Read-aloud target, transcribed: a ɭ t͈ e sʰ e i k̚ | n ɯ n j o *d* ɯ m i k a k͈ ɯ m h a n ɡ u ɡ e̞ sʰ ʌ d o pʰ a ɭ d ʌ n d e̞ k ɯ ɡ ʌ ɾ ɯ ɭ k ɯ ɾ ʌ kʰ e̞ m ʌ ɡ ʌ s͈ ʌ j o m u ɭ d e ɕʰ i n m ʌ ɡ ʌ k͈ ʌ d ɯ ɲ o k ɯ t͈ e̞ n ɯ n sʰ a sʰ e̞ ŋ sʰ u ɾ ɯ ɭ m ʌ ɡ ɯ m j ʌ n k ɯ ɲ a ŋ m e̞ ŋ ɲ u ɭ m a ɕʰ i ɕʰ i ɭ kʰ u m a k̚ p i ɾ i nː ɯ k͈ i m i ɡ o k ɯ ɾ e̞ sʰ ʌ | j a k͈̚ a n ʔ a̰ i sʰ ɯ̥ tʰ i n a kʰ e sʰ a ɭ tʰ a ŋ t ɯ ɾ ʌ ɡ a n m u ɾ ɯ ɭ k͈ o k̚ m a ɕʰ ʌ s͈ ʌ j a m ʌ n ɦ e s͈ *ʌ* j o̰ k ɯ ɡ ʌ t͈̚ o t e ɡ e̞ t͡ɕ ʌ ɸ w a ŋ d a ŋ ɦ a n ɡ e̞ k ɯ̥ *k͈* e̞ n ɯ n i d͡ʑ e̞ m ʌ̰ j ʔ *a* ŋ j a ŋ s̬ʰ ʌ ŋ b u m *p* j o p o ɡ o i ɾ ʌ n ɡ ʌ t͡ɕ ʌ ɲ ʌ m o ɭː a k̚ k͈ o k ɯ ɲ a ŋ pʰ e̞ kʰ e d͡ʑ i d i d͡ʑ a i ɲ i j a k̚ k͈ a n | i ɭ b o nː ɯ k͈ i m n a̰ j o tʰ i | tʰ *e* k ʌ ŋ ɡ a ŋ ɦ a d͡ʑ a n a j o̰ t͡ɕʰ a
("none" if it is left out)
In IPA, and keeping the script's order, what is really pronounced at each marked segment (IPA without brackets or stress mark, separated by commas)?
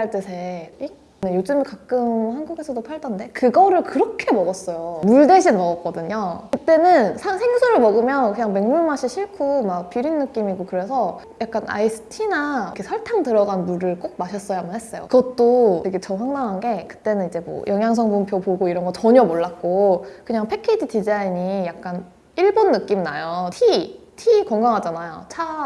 d͡ʑ, ʌ, t͈, ʌ, pʰ, i